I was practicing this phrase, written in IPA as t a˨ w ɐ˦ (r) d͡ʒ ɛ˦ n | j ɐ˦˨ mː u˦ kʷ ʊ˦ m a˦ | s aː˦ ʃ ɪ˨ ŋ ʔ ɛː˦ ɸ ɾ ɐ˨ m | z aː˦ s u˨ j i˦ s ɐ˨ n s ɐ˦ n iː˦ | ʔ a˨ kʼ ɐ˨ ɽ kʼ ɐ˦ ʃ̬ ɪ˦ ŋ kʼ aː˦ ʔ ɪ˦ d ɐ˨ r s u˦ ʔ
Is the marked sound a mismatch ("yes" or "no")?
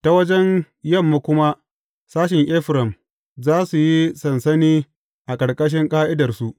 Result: yes